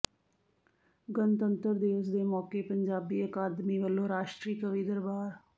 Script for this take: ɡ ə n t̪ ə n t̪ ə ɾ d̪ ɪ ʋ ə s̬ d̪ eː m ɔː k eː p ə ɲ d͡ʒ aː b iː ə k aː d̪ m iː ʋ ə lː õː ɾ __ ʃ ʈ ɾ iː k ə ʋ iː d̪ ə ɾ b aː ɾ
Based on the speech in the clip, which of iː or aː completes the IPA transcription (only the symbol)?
aː